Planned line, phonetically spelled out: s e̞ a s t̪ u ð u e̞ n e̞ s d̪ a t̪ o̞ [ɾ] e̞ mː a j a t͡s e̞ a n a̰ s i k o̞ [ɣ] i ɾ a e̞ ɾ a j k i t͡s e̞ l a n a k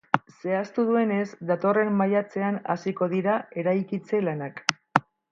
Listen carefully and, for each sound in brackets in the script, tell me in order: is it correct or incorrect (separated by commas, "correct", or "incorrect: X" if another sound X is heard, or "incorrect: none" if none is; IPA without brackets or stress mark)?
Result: incorrect: r, incorrect: ð